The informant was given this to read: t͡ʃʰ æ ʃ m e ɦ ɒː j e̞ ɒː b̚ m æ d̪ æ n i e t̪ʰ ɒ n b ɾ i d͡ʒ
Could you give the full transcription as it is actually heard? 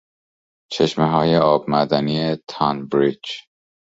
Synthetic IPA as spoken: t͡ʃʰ e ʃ m e ɦ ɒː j e̞ ɒː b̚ m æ d̪ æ n i e t̪ʰ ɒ n b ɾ i d͡ʒ